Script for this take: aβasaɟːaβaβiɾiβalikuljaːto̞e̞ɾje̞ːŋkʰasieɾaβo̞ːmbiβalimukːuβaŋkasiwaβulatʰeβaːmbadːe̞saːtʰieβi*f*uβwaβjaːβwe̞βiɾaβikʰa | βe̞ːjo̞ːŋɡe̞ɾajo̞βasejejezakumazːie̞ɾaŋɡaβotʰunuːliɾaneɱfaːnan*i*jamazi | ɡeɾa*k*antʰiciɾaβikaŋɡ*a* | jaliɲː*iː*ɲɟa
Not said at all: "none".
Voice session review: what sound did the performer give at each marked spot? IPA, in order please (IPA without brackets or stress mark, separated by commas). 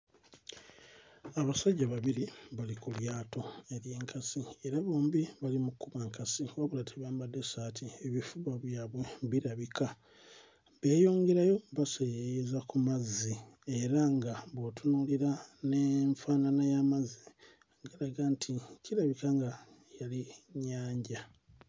f, a, ɡ, a, aː